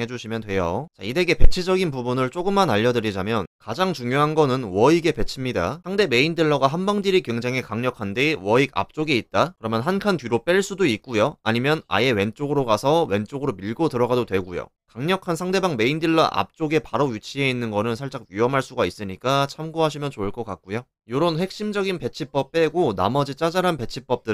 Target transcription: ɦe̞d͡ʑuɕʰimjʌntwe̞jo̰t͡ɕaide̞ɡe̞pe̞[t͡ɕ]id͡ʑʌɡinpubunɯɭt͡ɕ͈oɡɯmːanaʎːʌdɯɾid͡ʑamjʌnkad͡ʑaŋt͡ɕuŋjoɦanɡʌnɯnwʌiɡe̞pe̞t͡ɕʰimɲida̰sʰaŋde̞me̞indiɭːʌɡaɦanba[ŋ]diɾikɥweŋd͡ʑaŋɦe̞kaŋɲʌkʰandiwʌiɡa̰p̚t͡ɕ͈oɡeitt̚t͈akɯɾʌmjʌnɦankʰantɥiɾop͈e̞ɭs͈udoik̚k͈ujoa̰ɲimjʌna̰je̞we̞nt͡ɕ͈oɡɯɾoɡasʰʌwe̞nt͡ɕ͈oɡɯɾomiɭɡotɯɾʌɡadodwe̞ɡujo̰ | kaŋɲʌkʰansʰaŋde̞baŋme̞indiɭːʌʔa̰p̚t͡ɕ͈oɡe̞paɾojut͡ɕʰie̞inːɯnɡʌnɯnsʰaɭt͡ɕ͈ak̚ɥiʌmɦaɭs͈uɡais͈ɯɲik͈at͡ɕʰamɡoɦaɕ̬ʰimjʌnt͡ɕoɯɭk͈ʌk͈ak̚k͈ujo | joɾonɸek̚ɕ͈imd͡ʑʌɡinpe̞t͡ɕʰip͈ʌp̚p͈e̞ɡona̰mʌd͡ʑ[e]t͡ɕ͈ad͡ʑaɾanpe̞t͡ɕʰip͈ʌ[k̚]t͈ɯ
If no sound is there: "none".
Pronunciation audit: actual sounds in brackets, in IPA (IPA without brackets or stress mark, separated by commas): t͡ɕʰ, ŋ, i, p̚